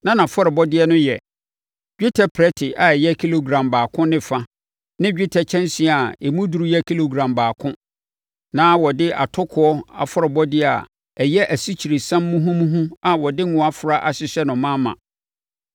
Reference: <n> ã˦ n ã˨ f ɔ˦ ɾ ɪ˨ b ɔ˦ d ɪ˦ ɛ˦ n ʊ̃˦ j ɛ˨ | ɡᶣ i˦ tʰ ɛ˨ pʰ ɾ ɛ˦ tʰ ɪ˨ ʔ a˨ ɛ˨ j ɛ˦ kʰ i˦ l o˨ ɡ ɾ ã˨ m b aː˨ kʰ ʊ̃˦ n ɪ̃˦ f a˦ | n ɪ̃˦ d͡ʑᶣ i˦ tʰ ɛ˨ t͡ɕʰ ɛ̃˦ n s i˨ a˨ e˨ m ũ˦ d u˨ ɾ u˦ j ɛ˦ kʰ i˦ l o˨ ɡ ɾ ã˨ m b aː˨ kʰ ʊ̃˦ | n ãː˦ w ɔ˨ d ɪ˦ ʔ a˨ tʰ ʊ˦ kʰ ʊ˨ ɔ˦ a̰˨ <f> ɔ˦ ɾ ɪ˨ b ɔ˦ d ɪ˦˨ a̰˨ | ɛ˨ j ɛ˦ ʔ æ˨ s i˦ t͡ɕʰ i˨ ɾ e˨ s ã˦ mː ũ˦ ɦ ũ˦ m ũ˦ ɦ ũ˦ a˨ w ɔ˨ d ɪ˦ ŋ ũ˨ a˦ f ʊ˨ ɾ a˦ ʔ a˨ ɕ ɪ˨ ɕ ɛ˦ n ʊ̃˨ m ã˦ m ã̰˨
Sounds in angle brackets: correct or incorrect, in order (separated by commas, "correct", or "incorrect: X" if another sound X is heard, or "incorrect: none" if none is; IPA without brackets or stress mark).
correct, correct